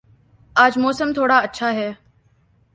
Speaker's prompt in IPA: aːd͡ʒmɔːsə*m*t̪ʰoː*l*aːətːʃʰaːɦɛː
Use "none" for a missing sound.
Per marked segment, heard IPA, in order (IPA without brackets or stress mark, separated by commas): m, ɽ